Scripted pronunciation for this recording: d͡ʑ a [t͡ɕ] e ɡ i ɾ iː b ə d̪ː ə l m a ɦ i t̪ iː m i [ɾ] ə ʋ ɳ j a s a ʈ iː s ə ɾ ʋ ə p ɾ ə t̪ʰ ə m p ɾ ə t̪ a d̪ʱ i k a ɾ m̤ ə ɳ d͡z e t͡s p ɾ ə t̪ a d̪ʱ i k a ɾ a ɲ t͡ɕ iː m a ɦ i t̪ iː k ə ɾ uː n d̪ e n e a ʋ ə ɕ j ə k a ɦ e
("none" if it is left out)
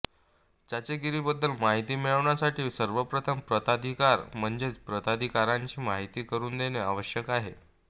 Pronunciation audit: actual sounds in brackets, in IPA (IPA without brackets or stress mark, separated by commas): t͡ɕ, ɭ